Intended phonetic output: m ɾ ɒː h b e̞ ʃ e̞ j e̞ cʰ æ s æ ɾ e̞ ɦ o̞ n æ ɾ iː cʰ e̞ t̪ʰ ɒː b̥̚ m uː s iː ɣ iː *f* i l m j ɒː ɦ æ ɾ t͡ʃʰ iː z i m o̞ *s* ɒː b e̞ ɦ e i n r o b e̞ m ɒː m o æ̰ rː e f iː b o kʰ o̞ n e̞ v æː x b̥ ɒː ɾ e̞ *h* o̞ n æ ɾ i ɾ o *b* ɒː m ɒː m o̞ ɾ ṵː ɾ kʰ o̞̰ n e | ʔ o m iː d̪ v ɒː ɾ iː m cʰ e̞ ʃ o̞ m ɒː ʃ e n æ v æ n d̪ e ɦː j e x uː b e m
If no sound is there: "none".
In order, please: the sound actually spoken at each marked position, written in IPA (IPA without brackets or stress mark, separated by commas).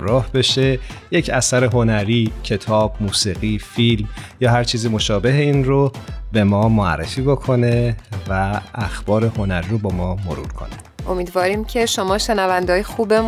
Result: f, ʃ, h, b